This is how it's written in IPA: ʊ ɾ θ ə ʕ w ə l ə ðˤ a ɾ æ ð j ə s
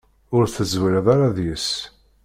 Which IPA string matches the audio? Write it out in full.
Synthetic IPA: ʊ ɾ θ ə z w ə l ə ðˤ a ɾ a ð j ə s